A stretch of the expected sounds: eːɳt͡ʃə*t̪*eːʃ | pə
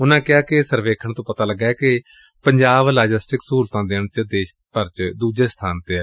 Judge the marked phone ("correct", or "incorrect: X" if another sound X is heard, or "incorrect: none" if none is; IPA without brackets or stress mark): incorrect: d̪